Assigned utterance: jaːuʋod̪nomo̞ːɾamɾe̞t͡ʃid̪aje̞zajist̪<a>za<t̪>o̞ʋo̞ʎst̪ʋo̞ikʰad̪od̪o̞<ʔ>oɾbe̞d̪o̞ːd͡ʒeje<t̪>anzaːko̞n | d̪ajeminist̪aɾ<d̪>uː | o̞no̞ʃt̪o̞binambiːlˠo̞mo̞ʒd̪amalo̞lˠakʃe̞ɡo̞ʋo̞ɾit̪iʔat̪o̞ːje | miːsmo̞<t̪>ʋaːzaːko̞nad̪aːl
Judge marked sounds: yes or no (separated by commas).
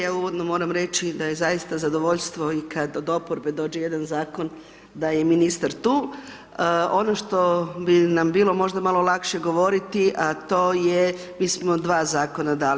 yes, no, no, no, no, no